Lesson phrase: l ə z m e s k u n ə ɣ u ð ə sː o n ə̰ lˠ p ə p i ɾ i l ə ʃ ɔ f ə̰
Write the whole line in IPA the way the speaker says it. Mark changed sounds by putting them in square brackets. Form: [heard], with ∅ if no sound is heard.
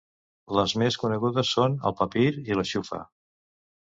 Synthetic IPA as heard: l ə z m e s k u n ə ɣ u ð ə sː o n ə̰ lˠ p ə p i ɾ i l ə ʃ [u] f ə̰